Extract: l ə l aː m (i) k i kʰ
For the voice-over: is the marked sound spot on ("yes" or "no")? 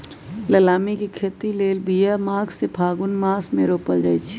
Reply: yes